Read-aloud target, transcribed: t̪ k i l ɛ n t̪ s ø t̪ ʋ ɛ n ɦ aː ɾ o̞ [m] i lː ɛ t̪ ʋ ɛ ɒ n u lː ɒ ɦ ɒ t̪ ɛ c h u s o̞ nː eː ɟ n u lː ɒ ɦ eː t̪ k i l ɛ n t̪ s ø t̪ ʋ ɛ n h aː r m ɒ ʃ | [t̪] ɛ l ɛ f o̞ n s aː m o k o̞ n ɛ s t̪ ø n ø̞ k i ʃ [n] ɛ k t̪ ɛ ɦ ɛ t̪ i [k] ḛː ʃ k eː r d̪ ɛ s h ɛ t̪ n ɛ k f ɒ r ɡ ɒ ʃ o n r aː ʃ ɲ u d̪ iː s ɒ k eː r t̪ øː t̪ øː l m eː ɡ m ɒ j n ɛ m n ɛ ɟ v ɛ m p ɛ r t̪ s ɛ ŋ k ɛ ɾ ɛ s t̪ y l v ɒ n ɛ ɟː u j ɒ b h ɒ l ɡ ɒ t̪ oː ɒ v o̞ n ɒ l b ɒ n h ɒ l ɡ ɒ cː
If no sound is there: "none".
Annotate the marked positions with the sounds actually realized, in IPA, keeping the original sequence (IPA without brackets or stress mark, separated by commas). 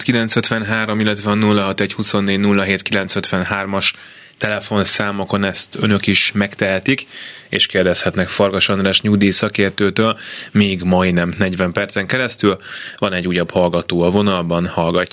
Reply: m, t̪, m, k